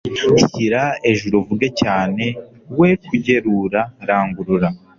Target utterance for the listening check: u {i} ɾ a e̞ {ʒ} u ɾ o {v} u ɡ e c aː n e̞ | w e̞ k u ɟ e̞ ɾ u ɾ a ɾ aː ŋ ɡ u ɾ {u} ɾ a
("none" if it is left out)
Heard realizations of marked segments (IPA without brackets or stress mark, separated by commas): i, ʒ, v, u